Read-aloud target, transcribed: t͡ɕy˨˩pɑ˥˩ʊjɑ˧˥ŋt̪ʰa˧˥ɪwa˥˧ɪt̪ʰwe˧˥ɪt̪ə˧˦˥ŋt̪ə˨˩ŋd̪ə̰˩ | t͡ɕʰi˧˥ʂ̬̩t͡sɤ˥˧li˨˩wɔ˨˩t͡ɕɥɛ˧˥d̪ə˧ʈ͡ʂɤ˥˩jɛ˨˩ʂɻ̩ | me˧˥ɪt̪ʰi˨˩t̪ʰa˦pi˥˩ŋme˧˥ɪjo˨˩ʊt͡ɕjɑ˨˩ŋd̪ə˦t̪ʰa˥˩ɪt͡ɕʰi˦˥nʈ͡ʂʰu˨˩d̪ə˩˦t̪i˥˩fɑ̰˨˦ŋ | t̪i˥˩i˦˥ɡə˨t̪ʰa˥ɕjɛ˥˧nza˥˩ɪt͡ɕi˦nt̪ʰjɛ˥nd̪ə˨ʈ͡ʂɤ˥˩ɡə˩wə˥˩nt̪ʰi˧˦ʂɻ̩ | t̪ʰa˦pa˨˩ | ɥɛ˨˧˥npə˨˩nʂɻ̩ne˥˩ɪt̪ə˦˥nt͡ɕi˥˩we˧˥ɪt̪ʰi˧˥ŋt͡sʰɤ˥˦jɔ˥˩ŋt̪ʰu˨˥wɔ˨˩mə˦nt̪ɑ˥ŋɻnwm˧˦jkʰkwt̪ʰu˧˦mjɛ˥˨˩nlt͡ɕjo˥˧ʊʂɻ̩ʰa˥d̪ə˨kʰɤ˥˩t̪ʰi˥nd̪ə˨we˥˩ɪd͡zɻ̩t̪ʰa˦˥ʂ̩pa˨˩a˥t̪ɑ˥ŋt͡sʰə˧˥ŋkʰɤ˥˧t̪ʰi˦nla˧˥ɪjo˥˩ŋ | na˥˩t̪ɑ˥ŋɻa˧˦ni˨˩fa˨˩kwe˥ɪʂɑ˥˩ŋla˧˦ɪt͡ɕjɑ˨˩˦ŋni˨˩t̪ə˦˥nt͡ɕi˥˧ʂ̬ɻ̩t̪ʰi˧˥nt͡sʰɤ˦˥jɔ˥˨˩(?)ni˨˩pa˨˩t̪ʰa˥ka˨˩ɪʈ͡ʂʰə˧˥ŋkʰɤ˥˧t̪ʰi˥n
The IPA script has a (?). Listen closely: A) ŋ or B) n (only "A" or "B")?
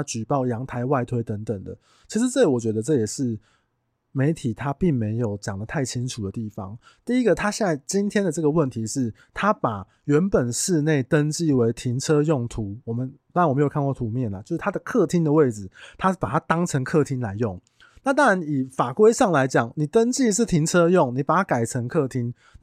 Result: A